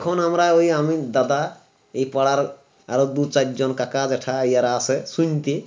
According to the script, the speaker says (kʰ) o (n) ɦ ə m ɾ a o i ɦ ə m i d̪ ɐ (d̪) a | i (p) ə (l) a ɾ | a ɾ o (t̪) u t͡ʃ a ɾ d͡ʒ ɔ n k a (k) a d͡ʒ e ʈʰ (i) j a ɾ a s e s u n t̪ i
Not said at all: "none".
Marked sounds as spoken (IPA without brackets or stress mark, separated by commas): kʰ, n, d̪, p, ɽ, d̪, k, a